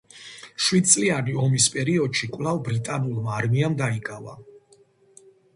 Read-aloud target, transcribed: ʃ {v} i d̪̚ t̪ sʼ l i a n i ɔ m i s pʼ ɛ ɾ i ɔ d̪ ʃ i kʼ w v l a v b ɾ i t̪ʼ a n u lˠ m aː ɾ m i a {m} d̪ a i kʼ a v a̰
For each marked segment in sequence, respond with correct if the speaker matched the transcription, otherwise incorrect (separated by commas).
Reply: incorrect, correct